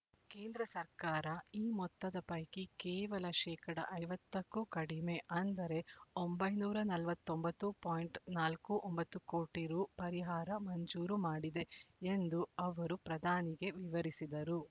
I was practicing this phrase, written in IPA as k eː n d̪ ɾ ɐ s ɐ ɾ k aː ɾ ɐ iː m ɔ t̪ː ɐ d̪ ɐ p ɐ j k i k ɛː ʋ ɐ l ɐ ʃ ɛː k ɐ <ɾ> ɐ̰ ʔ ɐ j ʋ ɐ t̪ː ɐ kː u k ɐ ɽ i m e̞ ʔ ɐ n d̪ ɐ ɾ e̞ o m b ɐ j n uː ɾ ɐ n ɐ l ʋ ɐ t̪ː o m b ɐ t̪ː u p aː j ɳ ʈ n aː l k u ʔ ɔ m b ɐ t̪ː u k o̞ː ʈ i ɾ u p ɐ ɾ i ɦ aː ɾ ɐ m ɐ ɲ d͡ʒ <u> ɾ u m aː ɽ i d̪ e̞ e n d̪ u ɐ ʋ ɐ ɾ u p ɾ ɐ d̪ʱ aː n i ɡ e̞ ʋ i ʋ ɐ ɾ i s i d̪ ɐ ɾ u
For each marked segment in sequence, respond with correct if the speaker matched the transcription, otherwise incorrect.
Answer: incorrect: ɽ, incorrect: uː

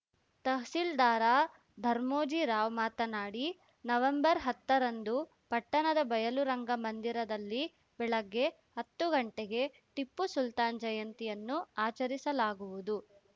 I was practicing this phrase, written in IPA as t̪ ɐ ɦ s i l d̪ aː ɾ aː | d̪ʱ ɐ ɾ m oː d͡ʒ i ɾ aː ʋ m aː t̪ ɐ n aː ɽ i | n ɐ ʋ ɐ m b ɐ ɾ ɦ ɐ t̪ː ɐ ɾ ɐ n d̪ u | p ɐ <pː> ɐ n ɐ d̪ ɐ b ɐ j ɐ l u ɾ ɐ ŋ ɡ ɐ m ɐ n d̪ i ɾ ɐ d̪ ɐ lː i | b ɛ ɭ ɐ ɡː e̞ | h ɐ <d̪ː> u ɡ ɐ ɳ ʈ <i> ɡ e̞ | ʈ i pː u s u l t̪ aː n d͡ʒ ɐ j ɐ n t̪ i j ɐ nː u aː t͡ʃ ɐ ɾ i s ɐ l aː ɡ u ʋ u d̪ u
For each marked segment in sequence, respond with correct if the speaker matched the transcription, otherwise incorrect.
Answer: incorrect: ʈː, incorrect: t̪ː, incorrect: e

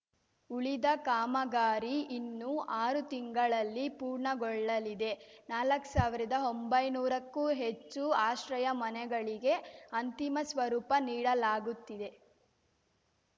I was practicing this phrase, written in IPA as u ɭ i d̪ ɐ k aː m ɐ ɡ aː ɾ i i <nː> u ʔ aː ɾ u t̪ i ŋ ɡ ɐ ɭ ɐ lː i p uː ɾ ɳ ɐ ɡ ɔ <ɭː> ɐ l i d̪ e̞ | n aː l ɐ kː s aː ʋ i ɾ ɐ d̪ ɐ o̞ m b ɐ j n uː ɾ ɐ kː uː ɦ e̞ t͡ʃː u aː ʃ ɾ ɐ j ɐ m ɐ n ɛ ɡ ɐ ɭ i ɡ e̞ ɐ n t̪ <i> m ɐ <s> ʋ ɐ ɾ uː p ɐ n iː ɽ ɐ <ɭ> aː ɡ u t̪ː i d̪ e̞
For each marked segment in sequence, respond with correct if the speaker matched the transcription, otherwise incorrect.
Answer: correct, correct, correct, correct, incorrect: l

